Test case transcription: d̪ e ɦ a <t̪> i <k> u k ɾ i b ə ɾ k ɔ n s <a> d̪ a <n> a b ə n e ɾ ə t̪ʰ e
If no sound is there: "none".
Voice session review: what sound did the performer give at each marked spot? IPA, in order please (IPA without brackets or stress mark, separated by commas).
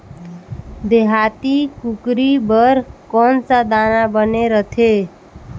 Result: t̪, k, a, n